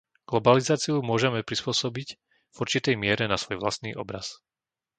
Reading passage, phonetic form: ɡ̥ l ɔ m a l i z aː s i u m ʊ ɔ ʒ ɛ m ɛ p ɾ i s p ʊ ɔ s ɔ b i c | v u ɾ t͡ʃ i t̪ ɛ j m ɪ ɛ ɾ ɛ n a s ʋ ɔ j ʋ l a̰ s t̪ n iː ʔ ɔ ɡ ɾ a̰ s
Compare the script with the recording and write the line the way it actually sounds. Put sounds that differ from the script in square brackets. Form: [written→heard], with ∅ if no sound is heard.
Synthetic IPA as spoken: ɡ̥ l ɔ [m→b] a l i z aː [s→t͡s] i u m ʊ ɔ ʒ ɛ m ɛ p ɾ i s p ʊ ɔ s ɔ b i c | v u ɾ t͡ʃ i t̪ ɛ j m ɪ ɛ ɾ ɛ n a s ʋ ɔ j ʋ l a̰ s t̪ n iː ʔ ɔ [ɡ→b] ɾ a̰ s